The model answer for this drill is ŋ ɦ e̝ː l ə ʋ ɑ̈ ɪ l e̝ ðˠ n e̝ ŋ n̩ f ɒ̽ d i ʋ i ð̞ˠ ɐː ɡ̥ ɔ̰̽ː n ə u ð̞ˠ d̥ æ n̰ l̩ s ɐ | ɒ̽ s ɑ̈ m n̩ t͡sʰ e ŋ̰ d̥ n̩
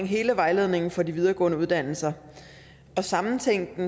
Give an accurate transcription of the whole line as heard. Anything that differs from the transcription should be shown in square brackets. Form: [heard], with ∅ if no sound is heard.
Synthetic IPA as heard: ŋ ɦ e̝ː l ə ʋ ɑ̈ ɪ l e̝ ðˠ n e̝ ŋ n̩ f ɒ̽ d i ʋ i ð̞ˠ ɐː ɡ̥ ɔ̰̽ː n ə u ð̞ˠ d̥ æ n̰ l̩ s ɐ | ɒ̽ s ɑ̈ m n̩ t͡sʰ e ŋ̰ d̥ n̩